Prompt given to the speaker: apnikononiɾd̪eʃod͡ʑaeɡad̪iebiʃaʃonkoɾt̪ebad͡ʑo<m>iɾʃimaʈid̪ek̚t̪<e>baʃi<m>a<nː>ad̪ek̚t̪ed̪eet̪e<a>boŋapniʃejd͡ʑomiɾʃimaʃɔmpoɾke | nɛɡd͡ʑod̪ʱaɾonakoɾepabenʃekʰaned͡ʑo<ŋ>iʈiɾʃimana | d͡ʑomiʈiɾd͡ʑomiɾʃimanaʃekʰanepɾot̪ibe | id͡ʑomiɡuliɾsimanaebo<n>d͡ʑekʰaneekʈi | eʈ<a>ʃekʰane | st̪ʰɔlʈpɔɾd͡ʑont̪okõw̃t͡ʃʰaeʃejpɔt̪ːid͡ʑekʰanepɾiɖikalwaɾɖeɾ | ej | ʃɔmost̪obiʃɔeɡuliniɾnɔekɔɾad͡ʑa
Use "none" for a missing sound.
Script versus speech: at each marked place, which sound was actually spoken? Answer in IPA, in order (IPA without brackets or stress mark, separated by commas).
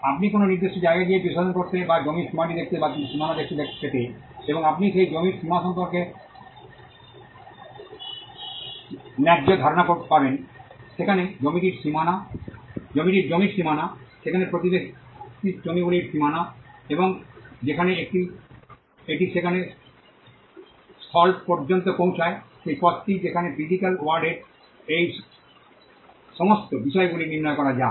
m, e, m, n, e, m, ŋ, i